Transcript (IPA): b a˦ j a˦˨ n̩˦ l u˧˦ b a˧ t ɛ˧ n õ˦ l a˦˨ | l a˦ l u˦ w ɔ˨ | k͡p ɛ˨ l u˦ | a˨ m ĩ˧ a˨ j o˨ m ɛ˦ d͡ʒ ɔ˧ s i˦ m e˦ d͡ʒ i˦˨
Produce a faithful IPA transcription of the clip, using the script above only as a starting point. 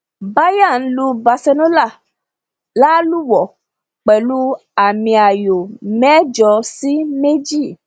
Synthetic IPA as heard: b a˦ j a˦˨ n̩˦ l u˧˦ b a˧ s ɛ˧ n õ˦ l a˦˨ | l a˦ l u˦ w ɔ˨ | k͡p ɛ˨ l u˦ | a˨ m ĩ˧ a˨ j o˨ m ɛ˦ d͡ʒ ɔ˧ s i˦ m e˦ d͡ʒ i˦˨